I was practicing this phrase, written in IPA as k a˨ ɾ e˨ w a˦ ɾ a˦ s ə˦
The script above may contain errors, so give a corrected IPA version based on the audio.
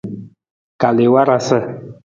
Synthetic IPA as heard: k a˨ l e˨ w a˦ ɾ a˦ s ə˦

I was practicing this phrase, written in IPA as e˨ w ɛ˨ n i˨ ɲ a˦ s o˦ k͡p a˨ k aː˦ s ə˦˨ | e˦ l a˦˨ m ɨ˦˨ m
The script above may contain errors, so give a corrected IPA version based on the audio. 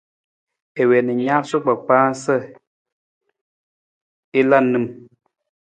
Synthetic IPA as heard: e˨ w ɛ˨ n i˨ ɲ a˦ s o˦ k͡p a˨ k͡p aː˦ s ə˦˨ | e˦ l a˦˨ n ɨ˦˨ m

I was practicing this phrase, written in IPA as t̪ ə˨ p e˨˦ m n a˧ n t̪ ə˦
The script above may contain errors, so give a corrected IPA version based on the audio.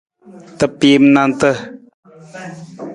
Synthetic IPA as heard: t̪ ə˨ p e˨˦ m n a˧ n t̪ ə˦

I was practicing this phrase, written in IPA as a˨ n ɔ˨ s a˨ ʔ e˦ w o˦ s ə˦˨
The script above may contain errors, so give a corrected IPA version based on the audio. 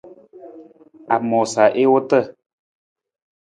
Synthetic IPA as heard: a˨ m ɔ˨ s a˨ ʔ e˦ w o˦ t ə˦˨

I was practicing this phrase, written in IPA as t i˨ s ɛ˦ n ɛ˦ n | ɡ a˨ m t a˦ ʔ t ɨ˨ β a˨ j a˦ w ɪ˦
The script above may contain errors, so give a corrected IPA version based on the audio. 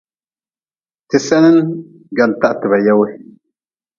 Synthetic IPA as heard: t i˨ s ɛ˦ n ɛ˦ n | ɡ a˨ n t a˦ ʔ t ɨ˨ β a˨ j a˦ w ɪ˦

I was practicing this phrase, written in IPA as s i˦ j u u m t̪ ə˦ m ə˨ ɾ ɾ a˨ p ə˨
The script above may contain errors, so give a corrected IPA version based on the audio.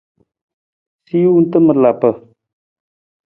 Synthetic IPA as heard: s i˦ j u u n t̪ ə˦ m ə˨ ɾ l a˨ p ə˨

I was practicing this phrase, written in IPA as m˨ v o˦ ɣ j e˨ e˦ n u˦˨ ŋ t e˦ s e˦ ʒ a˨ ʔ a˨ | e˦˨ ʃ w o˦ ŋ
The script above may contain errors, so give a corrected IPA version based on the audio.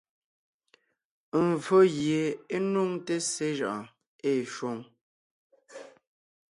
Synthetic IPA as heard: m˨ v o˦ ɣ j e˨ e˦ n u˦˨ ŋ t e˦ s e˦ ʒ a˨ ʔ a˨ | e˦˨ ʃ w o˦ ŋ

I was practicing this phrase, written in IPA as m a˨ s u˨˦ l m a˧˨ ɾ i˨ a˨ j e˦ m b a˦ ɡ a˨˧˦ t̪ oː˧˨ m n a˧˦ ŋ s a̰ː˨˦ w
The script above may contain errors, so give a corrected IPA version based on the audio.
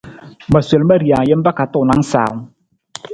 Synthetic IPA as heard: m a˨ s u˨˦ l m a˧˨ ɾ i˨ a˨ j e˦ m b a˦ k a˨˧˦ t̪ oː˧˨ n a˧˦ ŋ s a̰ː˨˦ w

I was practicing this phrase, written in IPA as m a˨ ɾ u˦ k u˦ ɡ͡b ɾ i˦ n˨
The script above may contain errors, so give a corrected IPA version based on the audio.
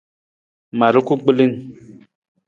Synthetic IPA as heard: m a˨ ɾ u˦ k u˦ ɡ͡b l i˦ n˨

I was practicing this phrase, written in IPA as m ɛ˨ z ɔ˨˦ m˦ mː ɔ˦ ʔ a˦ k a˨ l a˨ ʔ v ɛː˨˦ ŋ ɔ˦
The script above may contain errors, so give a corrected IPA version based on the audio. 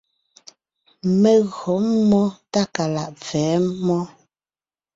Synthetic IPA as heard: m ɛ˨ ɣ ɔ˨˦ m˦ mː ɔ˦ t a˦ k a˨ l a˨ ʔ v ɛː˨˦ m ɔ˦

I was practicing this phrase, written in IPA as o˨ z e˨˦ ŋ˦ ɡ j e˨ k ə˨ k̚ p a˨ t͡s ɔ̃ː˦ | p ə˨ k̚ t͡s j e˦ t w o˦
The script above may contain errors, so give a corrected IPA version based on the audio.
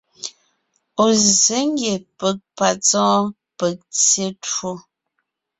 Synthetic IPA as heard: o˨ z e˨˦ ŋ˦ ɡ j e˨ p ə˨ k̚ p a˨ t͡s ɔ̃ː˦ | p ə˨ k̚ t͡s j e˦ t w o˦

